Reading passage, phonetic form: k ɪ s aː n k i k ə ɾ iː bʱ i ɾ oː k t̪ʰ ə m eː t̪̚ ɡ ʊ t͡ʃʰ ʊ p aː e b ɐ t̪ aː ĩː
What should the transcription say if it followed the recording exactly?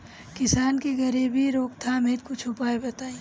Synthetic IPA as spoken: k ɪ s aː n k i ɡ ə ɾ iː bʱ i ɾ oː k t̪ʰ a m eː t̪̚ k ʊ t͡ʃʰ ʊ p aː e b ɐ t̪ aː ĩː